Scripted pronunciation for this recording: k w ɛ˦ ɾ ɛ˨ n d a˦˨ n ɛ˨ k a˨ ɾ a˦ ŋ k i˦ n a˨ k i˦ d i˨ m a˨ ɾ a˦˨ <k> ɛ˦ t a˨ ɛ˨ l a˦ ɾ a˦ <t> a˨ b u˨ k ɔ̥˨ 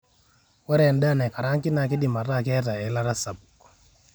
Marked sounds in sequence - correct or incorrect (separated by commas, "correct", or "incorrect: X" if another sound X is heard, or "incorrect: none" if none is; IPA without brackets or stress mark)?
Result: correct, incorrect: s